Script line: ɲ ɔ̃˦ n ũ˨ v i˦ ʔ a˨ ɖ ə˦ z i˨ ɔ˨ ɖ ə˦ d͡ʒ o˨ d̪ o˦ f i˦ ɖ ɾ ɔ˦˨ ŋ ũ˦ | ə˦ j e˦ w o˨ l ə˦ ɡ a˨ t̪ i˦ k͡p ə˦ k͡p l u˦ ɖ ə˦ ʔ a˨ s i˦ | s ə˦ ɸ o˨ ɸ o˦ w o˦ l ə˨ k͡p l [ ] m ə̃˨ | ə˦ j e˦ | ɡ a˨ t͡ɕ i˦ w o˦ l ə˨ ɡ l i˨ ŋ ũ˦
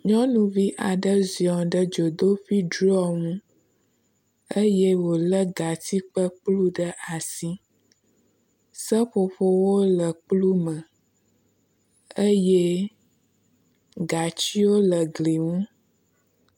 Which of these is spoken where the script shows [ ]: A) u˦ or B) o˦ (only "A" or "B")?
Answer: A